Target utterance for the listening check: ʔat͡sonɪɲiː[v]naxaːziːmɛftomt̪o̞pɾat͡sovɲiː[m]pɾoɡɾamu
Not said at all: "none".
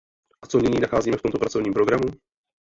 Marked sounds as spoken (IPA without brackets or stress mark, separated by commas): none, m